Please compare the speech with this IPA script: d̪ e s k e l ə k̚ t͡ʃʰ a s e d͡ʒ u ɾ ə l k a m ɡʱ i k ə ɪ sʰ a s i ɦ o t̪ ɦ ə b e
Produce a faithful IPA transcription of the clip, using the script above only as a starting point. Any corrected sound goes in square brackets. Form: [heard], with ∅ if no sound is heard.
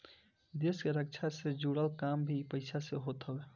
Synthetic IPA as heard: d̪ e s k e [ɾ] ə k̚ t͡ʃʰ a s e d͡ʒ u [ɽ] ə l k a m [bʱ] i [p] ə ɪ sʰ a s [e] ɦ o t̪ ɦ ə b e